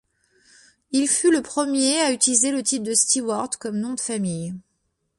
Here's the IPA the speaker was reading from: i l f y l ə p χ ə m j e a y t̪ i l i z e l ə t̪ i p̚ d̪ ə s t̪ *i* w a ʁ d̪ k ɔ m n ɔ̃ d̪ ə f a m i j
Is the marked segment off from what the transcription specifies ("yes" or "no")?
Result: no